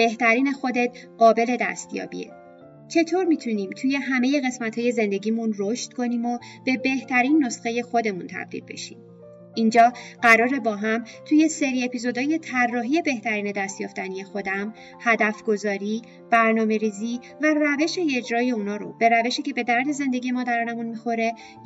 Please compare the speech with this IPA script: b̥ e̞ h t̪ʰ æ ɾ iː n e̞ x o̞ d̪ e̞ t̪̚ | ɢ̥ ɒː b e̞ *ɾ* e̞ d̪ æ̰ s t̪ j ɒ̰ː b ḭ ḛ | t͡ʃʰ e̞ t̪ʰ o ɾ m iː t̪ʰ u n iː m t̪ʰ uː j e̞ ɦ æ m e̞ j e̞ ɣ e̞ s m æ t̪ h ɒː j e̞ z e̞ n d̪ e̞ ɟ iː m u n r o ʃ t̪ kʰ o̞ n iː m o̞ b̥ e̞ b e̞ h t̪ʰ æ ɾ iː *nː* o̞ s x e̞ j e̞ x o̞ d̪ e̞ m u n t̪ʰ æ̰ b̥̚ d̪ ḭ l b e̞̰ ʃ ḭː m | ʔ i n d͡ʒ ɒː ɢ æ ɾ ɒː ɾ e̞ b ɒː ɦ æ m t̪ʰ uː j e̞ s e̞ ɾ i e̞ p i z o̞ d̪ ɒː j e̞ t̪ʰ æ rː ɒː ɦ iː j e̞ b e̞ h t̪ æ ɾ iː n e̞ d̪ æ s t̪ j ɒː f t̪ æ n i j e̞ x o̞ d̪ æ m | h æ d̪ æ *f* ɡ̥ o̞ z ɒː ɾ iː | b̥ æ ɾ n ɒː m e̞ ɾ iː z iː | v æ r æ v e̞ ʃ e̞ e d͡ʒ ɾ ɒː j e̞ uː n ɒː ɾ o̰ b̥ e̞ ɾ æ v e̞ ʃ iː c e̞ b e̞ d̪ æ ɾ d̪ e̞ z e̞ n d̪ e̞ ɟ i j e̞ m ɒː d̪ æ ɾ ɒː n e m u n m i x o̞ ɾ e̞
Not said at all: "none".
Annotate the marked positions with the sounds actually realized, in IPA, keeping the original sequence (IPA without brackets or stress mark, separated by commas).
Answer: l, nː, f